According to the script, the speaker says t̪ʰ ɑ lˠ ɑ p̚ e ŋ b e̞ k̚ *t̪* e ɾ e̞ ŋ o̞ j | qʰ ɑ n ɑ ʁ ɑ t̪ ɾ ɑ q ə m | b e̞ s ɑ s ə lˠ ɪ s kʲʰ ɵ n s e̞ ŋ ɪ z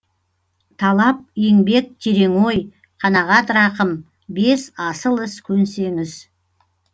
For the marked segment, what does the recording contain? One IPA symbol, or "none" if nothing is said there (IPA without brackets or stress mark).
t̪ʰ